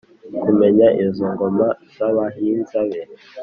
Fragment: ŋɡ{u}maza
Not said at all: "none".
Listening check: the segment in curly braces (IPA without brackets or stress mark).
o